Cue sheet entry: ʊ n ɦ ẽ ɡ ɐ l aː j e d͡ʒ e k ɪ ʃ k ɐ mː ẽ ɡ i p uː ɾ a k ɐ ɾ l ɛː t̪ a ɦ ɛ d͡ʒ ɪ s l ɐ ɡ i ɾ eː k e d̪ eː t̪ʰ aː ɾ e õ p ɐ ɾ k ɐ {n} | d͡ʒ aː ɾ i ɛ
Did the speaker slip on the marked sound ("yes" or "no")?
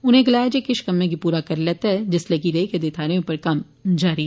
yes